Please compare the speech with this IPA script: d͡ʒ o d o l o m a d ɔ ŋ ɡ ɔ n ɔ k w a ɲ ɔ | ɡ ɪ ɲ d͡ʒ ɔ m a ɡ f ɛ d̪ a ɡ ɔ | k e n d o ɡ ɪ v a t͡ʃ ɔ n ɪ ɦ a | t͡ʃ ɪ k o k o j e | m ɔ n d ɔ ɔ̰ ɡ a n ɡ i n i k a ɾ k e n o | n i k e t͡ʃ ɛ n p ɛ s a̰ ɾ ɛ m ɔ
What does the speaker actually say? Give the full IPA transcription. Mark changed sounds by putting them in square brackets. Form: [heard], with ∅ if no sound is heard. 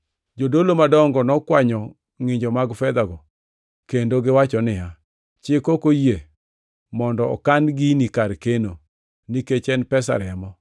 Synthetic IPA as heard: d͡ʒ o d o l o m a d ɔ ŋ ɡ ɔ n ɔ k w a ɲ ɔ | [ŋ] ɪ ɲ d͡ʒ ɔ m a ɡ f ɛ d̪ a ɡ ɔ | k e n d o ɡ ɪ [w] a t͡ʃ ɔ n ɪ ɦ a | t͡ʃ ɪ k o k o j e | m ɔ n d ɔ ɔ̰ [k] a n ɡ i n i k a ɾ k e n o | n i k e t͡ʃ ɛ n p ɛ s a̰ ɾ ɛ m ɔ